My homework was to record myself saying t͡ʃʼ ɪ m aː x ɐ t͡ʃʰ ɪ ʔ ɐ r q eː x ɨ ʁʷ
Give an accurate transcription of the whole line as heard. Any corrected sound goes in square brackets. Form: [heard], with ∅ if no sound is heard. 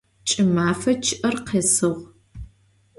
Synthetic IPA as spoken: t͡ʃʼ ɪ m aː [f] ɐ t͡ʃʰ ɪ ʔ ɐ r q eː [s] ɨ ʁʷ